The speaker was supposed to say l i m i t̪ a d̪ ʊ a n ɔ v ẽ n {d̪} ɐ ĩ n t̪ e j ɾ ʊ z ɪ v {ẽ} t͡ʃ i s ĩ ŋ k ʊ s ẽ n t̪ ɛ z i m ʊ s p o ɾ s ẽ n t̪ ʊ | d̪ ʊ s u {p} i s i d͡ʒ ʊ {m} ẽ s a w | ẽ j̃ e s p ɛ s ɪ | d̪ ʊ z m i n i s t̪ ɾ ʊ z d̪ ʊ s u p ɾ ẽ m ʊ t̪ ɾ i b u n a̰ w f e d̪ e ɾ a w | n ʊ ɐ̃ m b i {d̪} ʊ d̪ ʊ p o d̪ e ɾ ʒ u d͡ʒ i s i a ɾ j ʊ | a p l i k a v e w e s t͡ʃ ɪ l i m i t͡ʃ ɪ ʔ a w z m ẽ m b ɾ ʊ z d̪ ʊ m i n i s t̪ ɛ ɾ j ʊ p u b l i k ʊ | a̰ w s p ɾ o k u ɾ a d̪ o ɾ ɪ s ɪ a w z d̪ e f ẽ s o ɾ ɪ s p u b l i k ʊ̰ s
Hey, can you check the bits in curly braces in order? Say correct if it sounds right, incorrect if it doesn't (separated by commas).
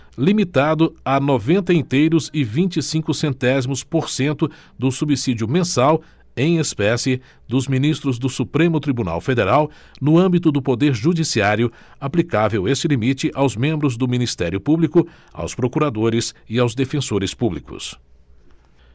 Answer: incorrect, incorrect, incorrect, correct, incorrect